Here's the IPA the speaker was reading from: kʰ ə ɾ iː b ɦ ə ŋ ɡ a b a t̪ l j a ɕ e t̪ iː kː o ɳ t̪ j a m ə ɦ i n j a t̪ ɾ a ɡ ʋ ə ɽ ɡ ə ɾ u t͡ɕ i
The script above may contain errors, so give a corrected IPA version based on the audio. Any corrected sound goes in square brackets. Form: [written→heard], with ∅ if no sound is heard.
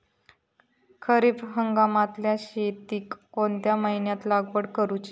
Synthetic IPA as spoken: kʰ ə ɾ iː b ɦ ə ŋ ɡ a [b→m] a t̪ l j a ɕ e t̪ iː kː o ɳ t̪ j a m ə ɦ i n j a t̪ [ɾ→l] a ɡ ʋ ə ɽ [ɡ→k] ə ɾ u t͡ɕ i

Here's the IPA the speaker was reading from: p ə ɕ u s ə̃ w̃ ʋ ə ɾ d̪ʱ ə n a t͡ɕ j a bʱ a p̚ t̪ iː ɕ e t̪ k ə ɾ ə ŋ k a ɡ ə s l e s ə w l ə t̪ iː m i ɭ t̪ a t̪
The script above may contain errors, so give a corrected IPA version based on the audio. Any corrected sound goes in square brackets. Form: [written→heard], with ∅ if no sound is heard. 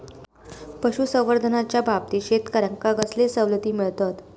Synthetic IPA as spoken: p ə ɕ u s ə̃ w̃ ʋ ə ɾ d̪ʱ ə n a t͡ɕ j a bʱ a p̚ t̪ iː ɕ e t̪ k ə ɾ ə ŋ k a ɡ ə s l e s ə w l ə t̪ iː m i ɭ t̪ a t̪

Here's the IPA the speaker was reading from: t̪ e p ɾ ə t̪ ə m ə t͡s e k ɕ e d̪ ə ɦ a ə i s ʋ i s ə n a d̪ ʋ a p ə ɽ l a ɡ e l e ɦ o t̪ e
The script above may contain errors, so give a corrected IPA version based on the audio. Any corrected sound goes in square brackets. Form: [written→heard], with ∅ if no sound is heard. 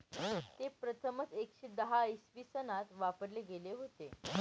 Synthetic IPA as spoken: t̪ e p ɾ ə [t̪→t̪ʰ] ə m ə t͡s e k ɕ e d̪ ə ɦ a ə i s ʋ i s ə n a [d̪→t̪] ʋ a p ə [ɽ→ɾ] l [a→e] ɡ e l e ɦ o t̪ e

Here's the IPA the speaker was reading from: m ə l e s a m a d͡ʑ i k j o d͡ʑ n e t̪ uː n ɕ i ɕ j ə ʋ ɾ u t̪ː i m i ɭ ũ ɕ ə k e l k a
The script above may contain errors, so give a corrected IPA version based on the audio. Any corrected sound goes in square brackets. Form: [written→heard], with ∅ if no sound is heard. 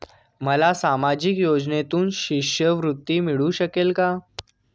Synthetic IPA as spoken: m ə l [e→a] s a m a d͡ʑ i k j o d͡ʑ n e t̪ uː n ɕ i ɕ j ə ʋ ɾ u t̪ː i m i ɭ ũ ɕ ə k e l k a

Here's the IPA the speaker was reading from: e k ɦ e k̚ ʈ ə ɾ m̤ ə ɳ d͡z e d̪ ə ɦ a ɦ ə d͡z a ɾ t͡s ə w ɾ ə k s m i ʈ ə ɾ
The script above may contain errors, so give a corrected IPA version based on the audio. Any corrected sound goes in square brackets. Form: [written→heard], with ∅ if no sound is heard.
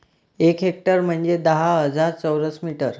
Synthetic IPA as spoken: e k ɦ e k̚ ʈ ə ɾ m̤ ə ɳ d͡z e d̪ ə ɦ a ɦ ə d͡z a ɾ t͡s ə w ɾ ə [k→∅] s m i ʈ ə ɾ

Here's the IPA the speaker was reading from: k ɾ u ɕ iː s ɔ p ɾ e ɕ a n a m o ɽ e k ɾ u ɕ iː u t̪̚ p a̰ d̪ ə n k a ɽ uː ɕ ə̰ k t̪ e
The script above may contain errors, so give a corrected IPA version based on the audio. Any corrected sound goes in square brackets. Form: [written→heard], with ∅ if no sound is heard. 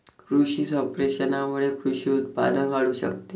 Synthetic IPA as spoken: k ɾ u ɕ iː s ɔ p ɾ e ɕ [a→ə] n a m [o→u] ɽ e k ɾ u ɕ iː u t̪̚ p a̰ d̪ ə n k a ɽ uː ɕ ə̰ k t̪ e

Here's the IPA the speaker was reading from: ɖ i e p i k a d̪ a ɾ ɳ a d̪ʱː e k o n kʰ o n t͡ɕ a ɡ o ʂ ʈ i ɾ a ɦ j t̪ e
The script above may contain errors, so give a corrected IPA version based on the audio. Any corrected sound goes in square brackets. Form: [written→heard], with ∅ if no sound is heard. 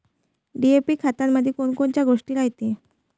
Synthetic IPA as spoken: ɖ i e p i [k→kʰ] a [d̪→t̪] a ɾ [ɳ→m] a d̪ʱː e k o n [kʰ→k] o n t͡ɕ a ɡ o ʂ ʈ i ɾ a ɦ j t̪ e

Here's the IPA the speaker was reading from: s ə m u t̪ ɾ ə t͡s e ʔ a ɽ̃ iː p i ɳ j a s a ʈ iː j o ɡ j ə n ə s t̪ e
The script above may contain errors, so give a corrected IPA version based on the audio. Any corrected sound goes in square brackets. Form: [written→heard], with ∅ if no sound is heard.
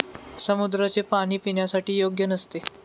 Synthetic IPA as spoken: s ə m u [t̪→d̪] ɾ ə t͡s e [ʔ→p] a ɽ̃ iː p i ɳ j a s a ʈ iː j o ɡ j ə n ə s t̪ e

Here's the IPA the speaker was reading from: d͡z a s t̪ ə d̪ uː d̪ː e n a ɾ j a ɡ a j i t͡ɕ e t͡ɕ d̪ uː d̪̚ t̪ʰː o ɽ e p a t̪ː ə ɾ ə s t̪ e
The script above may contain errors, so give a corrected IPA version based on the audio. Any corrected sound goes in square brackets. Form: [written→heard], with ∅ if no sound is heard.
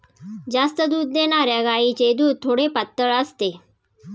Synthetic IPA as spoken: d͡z a s t̪ ə d̪ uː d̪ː e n a ɾ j a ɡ a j i t͡ɕ e [t͡ɕ→∅] d̪ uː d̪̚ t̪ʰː o ɽ e p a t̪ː ə [ɾ→ɭ] ə s t̪ e

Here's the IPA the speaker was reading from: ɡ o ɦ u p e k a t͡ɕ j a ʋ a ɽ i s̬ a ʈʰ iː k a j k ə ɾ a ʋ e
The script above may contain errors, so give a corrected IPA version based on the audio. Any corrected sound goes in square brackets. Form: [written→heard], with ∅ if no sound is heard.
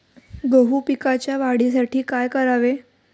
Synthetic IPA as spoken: ɡ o ɦ u p [e→i] k a t͡ɕ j a ʋ a ɽ i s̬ a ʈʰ iː k a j k ə ɾ a ʋ e

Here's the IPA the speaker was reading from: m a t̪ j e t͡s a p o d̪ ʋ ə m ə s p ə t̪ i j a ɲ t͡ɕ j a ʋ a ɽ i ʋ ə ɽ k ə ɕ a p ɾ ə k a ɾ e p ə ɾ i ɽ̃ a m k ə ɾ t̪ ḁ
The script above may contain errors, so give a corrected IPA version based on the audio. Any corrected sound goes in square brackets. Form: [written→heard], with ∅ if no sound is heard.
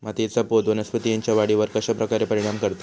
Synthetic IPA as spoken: m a t̪ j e t͡s a p o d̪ ʋ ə [m→n] ə s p ə t̪ i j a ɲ t͡ɕ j a ʋ a ɽ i ʋ ə [ɽ→ɾ] k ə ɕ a p ɾ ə k a ɾ e p ə ɾ i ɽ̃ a m k ə ɾ t̪ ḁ

